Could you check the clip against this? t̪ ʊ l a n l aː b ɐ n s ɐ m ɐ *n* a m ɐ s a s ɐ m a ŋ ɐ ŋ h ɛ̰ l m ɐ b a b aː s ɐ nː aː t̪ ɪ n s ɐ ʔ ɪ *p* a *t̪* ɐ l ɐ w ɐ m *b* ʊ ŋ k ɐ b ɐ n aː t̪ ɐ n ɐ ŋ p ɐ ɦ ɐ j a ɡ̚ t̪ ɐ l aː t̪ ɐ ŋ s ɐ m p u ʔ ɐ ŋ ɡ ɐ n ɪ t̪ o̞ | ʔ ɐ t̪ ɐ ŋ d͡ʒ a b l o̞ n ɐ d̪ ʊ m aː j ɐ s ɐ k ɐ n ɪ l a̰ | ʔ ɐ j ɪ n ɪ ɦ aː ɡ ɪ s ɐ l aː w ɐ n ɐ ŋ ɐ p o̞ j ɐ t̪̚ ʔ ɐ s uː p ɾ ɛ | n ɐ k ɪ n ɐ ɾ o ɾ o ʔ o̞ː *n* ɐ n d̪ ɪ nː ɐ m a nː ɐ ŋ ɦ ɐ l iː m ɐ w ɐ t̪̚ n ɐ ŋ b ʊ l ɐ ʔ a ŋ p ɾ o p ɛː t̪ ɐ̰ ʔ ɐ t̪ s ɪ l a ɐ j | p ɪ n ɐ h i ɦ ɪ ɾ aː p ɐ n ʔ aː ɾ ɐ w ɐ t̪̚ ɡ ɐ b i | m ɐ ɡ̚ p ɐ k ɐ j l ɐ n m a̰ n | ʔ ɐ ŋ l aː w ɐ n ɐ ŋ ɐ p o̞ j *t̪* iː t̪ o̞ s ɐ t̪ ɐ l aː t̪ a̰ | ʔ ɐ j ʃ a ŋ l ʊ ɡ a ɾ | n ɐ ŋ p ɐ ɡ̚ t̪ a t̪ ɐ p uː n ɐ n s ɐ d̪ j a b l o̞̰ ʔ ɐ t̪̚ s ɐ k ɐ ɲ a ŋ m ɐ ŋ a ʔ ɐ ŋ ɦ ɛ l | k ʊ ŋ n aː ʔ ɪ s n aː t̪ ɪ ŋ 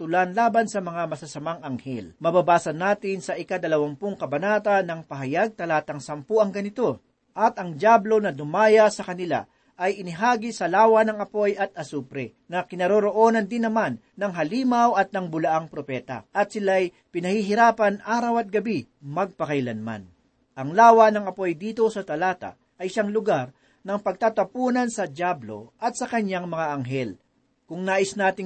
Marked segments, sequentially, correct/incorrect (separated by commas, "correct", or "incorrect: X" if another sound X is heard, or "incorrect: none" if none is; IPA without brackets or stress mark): incorrect: ŋ, incorrect: k, incorrect: d̪, incorrect: p, correct, incorrect: d̪